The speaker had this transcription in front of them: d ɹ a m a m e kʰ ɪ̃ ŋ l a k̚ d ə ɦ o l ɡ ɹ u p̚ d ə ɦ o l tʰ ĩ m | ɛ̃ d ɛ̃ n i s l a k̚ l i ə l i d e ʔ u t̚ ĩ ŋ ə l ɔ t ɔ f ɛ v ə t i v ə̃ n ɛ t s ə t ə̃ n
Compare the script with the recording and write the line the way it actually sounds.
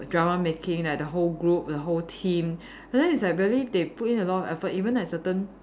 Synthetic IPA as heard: d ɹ a m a m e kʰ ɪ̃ ŋ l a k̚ d ə ɦ o l ɡ ɹ u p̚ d ə ɦ o l tʰ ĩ m | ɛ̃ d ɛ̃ n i s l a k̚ ɹ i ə l i d e p u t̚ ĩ n ə l ɔ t ɔ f ɛ f ə t i v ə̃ n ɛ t s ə t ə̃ n